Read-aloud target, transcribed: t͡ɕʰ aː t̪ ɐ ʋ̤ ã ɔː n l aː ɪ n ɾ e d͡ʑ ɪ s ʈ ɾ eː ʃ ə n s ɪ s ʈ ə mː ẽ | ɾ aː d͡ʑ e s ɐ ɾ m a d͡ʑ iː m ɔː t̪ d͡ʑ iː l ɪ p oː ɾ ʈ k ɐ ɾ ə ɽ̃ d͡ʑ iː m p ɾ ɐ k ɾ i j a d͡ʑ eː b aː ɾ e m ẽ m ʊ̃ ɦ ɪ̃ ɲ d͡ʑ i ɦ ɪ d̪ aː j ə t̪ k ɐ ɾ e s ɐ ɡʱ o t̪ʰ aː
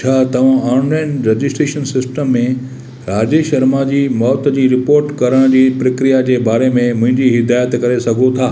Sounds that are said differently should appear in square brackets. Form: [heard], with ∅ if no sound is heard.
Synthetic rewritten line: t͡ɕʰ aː t̪ ɐ ʋ̤ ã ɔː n l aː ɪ n ɾ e d͡ʑ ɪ s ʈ ɾ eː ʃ ə n s ɪ s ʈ ə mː ẽ | ɾ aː d͡ʑ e [ʃ] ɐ ɾ m a d͡ʑ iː m ɔː t̪ d͡ʑ iː [ɾ] ɪ p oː ɾ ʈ k ɐ ɾ ə ɽ̃ d͡ʑ iː [∅] p ɾ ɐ k ɾ i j a d͡ʑ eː b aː ɾ e m ẽ m ʊ̃ ɦ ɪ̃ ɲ d͡ʑ i ɦ ɪ d̪ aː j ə t̪ k ɐ ɾ e s ɐ ɡʱ o t̪ʰ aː

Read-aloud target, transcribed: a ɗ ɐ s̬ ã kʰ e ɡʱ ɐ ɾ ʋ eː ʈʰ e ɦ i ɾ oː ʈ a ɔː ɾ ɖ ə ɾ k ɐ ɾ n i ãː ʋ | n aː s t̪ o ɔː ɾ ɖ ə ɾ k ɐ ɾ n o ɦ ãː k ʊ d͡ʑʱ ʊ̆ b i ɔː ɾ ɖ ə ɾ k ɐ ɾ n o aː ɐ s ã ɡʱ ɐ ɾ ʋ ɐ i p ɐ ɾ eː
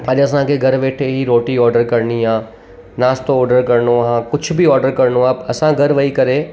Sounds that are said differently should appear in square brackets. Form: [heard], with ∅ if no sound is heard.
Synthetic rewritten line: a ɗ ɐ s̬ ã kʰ e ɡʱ ɐ ɾ ʋ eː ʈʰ e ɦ i ɾ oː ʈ [i] ɔː ɾ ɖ ə ɾ k ɐ ɾ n i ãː [∅] | n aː s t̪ o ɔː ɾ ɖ ə ɾ k ɐ ɾ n o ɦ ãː k ʊ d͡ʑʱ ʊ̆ b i ɔː ɾ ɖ ə ɾ k ɐ ɾ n o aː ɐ s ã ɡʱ ɐ ɾ ʋ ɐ i [k] ɐ ɾ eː

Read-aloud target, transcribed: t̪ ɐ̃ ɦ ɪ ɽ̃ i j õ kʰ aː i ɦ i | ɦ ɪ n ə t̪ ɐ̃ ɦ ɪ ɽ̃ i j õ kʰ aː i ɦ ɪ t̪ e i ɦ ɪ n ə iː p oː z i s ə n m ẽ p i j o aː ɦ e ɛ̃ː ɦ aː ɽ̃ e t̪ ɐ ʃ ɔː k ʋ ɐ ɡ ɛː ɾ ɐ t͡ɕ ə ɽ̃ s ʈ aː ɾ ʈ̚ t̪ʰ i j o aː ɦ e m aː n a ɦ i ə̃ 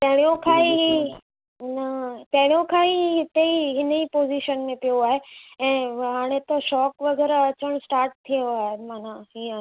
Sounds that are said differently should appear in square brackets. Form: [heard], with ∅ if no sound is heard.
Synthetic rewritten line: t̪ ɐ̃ ɦ ɪ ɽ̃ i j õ kʰ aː i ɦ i | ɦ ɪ n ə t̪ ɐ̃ ɦ ɪ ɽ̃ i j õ kʰ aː i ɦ ɪ t̪ e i ɦ ɪ n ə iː p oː z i [ʃ] ə n m ẽ p i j o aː ɦ e ɛ̃ː ɦ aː ɽ̃ e t̪ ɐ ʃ ɔː k ʋ ɐ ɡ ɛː ɾ ɐ t͡ɕ ə ɽ̃ s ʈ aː ɾ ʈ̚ t̪ʰ i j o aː ɦ e m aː n a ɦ i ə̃

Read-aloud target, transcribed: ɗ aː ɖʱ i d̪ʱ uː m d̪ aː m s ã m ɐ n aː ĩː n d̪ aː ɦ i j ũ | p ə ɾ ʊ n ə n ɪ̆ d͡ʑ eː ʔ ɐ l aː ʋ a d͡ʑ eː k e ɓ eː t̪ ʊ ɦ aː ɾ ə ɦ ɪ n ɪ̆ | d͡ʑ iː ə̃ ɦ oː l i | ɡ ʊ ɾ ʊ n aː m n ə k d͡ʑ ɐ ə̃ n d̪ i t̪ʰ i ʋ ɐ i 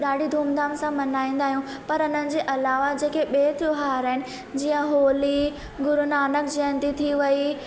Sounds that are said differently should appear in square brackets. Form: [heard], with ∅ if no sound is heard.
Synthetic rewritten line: ɗ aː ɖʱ i d̪ʱ uː m d̪ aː m s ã m ɐ n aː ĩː n d̪ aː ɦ i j ũ | p [ɐ] ɾ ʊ n ə n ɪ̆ d͡ʑ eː ʔ ɐ l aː ʋ a d͡ʑ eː k e ɓ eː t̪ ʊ ɦ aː ɾ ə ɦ ɪ n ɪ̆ | d͡ʑ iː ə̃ ɦ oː l i | ɡ ʊ ɾ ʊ n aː [∅] n ə k d͡ʑ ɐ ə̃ n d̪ i t̪ʰ i ʋ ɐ i

